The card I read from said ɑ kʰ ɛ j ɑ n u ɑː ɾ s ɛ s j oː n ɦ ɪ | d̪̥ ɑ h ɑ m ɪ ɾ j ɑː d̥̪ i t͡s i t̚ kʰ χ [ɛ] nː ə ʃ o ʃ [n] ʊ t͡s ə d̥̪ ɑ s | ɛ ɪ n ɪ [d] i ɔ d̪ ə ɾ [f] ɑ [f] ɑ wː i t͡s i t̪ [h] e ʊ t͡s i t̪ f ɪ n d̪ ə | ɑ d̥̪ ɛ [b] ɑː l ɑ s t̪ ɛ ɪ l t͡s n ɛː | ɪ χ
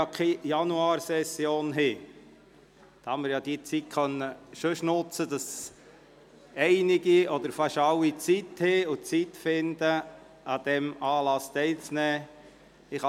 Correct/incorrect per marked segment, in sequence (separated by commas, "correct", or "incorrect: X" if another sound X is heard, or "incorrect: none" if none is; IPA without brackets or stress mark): incorrect: œ, correct, incorrect: ɡ, correct, incorrect: ʃ, correct, incorrect: m